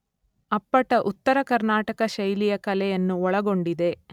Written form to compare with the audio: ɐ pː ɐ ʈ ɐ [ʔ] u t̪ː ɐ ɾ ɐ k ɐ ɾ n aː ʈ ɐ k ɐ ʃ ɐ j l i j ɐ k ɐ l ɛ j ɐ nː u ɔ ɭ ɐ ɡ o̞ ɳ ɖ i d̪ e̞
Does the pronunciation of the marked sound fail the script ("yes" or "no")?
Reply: no